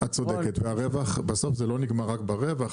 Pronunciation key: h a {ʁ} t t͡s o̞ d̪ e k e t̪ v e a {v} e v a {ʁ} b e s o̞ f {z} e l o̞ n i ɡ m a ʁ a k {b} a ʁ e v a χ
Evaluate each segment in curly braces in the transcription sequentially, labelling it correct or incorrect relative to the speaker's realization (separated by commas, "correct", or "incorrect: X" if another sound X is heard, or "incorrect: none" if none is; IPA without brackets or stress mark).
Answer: incorrect: none, incorrect: ʁ, incorrect: χ, correct, correct